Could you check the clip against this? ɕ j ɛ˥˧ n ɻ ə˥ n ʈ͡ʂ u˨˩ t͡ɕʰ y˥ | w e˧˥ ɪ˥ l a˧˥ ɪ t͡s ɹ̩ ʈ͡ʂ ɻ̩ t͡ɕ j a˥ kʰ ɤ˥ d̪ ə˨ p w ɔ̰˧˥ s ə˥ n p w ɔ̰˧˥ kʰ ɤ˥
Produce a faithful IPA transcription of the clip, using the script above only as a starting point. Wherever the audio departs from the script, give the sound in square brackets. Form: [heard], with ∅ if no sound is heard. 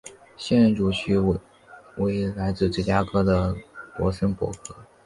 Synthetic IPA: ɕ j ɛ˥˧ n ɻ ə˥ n ʈ͡ʂ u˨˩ t͡ɕʰ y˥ | w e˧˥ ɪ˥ l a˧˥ ɪ t͡s ɹ̩ ʈ͡ʂ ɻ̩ t͡ɕ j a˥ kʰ ɤ˥ d̪ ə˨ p w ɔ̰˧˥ s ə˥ n p w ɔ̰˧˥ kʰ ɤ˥